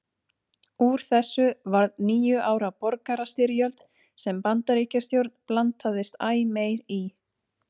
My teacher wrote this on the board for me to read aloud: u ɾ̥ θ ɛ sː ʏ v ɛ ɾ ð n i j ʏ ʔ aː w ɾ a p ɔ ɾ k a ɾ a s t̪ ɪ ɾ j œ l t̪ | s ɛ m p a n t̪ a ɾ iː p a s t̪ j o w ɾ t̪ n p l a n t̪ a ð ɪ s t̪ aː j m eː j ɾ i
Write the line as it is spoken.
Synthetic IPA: u ɾ̥ θ ɛ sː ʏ v a ɾ ð n iː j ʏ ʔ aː w ɾ a p ɔ ɾ k a ɾ a s t̪ ɪ ɾ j œ l t̪ | s ɛ m p a n t̪ a ɾ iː c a s t̪ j o w ɾ t̪ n p l a n t̪ a ð ɪ s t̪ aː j m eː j ɾ i